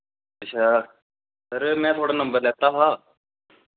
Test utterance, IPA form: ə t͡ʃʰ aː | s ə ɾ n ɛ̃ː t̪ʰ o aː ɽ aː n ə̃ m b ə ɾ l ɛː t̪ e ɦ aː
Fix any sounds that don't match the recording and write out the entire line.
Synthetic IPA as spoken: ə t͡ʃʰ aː | s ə ɾ m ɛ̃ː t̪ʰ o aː ɽ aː n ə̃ m b ə ɾ l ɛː t̪ a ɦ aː